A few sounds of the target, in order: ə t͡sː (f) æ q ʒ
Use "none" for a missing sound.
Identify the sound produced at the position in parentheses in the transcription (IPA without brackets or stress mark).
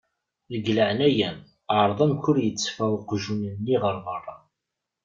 f